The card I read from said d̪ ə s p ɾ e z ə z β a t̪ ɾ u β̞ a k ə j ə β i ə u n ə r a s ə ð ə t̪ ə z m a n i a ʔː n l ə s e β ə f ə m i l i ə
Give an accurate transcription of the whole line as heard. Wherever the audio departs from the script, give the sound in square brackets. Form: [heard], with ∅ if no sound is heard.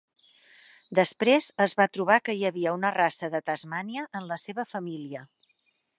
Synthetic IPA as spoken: d̪ ə s p ɾ e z ə z β a t̪ ɾ u β̞ a k ə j ə β i ə u n ə r a s ə ð ə t̪ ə z m a n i [ə] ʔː n l ə s e β ə f ə m i l i ə